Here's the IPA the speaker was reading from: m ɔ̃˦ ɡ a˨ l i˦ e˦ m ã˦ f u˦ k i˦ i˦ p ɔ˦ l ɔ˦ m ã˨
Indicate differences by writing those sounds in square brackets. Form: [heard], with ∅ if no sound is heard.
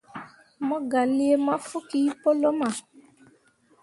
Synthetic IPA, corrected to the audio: m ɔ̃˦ ɡ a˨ l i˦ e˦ m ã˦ f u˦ k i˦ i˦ p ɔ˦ l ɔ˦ m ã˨